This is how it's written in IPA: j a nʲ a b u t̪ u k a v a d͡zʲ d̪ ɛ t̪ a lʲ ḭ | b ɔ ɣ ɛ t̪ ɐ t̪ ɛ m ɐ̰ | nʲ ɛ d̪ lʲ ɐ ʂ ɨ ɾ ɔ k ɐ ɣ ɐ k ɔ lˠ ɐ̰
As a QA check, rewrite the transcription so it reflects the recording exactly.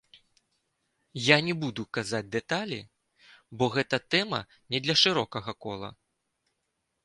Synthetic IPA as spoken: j a nʲ ɛ b u d̪ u k a z a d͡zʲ d̪ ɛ t̪ a lʲ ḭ | b ɔ ɣ ɛ t̪ ɐ t̪ ɛ m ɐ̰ | nʲ ɛ d̪ lʲ ɐ ʂ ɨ ɾ ɔ k ɐ ɣ ɐ k ɔ lˠ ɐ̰

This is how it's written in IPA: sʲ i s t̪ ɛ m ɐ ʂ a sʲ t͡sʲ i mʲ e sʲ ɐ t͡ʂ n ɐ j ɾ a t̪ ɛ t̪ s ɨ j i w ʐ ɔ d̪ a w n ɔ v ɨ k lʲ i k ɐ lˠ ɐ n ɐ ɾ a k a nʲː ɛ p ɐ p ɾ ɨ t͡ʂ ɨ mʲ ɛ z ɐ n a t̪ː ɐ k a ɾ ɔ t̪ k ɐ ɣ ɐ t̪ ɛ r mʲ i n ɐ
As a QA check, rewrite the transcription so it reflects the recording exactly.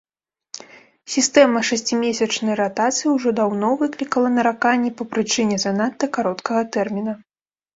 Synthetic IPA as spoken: sʲ i s t̪ ɛ m ɐ ʂ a sʲ t͡sʲ i mʲ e sʲ ɐ t͡ʂ n ɐ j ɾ a t̪ a t̪ s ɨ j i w ʐ ɔ d̪ a w n ɔ v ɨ k lʲ i k ɐ lˠ ɐ n ɐ ɾ a k a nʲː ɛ p ɐ p ɾ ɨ t͡ʂ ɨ nʲ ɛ z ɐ n a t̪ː ɐ k a ɾ ɔ t̪ k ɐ ɣ ɐ t̪ ɛ r mʲ i n ɐ

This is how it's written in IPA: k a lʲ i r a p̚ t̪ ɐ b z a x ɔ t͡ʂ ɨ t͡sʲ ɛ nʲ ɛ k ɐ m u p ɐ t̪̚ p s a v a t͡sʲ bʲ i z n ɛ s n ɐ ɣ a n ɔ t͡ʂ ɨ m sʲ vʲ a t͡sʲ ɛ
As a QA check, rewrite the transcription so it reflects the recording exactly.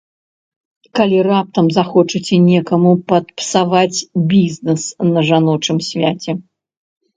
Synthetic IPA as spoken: k a lʲ i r a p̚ t̪ ɐ m z a x ɔ t͡ʂ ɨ t͡sʲ ɛ nʲ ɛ k ɐ m u p ɐ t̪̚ p s a v a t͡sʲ bʲ i z n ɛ s n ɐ ʐ a n ɔ t͡ʂ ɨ m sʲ vʲ a t͡sʲ ɛ

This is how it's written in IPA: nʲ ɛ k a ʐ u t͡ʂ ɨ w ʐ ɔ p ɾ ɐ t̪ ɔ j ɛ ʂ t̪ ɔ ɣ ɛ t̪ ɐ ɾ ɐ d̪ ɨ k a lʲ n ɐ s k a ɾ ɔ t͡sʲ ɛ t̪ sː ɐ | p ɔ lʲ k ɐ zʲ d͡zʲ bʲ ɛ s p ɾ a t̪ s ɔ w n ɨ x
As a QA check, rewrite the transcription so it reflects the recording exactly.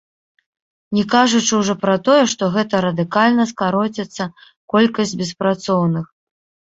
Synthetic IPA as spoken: nʲ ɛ k a ʐ u t͡ʂ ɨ w ʐ ɔ p ɾ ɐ t̪ ɔ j ɛ ʂ t̪ ɔ ɣ ɛ t̪ ɐ ɾ ɐ d̪ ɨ k a lʲ n ɐ s k a ɾ ɔ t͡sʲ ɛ t̪ sː ɐ | k ɔ lʲ k ɐ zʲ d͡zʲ bʲ ɛ s p ɾ a t̪ s ɔ w n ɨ x

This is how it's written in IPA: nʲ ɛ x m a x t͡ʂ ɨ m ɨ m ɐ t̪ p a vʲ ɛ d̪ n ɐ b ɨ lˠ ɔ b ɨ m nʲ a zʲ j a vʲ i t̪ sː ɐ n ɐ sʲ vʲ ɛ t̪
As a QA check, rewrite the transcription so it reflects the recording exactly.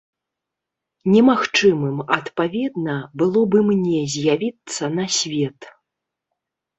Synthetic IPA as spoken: nʲ ɛ m a x t͡ʂ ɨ m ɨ m ɐ t̪ p a vʲ ɛ d̪ n ɐ b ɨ lˠ ɔ b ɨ m nʲ ɛ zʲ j a vʲ i t̪ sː ɐ n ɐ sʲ vʲ ɛ t̪

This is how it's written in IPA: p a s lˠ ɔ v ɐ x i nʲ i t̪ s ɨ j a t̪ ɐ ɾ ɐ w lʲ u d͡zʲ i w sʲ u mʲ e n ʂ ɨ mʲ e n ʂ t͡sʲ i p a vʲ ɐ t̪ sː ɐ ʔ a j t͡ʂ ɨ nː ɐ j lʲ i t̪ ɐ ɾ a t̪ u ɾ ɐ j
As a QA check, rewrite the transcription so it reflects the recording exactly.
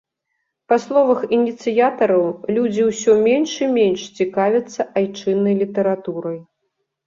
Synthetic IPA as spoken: p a s lˠ ɔ v ɐ x i nʲ i t̪ s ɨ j a t̪ ɐ ɾ ɐ w lʲ u d͡zʲ i w sʲ ɔ mʲ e n ʂ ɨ mʲ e n ʂ t͡sʲ i k a vʲ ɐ t̪ sː ɐ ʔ a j t͡ʂ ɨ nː ɐ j lʲ i t̪ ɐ ɾ a t̪ u ɾ ɐ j

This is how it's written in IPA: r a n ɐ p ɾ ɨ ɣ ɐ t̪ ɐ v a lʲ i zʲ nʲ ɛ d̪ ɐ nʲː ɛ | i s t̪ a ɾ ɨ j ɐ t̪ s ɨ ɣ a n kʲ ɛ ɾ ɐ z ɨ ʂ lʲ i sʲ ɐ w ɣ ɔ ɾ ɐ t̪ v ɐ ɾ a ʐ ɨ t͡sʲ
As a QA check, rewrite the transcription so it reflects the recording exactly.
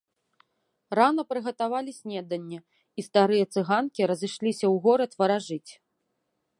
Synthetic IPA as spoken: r a n ɐ p ɾ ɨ ɣ ɐ t̪ a v a lʲ i sʲ nʲ ɛ d̪ ɐ nʲː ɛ | i s t̪ a ɾ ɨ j ɐ t̪ s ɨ ɣ a n kʲ i ɾ ɐ z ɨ ʂ lʲ i sʲ ɐ w ɣ ɔ ɾ ɐ t̪ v ɐ ɾ a ʐ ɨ t͡sʲ

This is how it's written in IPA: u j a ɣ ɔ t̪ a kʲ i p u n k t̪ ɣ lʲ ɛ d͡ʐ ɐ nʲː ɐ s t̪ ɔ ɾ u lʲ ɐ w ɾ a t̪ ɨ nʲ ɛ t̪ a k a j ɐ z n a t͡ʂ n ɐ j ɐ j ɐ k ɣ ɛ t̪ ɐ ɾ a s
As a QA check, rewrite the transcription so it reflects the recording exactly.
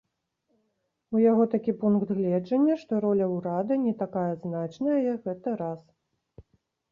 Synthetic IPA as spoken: u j a ɣ ɔ t̪ a kʲ i p u n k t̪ ɣ lʲ ɛ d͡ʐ ɐ nʲː ɐ ʂ t̪ ɔ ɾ ɔ lʲ ɐ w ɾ a d̪ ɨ nʲ ɛ t̪ a k a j ɐ z n a t͡ʂ n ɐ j ɐ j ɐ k ɣ ɛ t̪ ɐ ɾ a s

